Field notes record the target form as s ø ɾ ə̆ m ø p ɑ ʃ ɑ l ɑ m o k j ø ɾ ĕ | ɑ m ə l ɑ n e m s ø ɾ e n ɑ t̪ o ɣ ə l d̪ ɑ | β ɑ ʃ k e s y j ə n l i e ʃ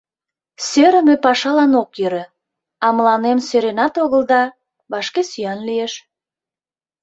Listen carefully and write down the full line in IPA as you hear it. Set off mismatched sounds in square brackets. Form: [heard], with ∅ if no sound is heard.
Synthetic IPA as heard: s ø ɾ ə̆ m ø p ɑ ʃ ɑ l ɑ [n] o k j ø ɾ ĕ | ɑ m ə l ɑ n e m s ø ɾ e n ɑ t̪ o ɣ ə l d̪ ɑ | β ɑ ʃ k e s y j [ɑ] n l i e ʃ

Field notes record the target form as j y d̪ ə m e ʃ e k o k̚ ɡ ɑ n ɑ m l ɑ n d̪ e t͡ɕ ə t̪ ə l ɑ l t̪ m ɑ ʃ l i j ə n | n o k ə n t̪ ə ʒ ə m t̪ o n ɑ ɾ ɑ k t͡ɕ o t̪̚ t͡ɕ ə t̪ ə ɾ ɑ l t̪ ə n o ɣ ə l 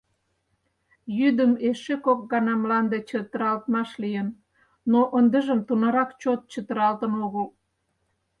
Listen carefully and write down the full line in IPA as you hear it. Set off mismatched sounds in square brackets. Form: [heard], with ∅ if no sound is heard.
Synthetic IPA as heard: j y d̪ ə m e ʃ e k o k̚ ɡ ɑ n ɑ m l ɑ n d̪ e t͡ɕ ə t̪ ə [ɾ] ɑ l t̪ m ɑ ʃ l i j ə n | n o [ʔ] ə n [d̪] ə ʒ ə m t̪ [u] n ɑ ɾ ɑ k t͡ɕ o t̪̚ t͡ɕ ə t̪ ə ɾ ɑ l t̪ ə n o ɣ ə l

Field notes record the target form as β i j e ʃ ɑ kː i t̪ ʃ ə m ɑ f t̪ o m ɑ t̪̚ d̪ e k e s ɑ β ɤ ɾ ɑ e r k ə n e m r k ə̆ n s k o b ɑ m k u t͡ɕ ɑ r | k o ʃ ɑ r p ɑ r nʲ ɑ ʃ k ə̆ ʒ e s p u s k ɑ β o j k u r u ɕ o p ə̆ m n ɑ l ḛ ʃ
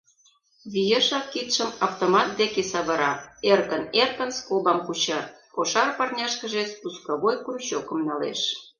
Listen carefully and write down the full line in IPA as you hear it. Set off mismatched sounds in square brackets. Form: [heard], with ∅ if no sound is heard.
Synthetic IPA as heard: β i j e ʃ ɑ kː i t̪ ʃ ə m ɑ f t̪ o m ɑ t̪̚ d̪ e k e s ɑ β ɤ ɾ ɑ e r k ə n e [∅] r k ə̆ n s k o b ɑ m k u t͡ɕ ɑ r | k o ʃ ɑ r p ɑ r nʲ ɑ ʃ k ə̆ ʒ e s p u s k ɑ β o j k u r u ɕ o [k] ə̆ m n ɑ l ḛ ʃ

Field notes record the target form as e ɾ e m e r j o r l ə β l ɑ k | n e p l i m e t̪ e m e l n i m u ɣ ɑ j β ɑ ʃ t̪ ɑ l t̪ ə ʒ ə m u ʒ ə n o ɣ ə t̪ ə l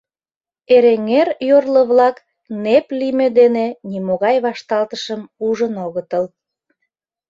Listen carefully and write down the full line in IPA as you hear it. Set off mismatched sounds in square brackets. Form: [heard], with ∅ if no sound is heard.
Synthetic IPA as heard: e ɾ e [ŋ] e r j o r l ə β l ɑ k | n e p l i m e [d̪] e [n] e [∅] n i m [o] ɣ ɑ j β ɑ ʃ t̪ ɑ l t̪ ə [ʃ] ə m u ʒ ə n o ɣ ə t̪ ə l

